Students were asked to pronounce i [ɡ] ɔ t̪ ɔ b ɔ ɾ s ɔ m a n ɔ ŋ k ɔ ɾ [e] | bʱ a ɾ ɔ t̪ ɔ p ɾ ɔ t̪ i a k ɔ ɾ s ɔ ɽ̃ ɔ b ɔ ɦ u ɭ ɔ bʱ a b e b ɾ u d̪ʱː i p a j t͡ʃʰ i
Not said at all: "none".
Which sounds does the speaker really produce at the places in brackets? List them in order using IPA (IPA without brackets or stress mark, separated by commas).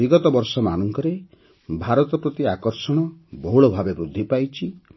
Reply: ɡ, e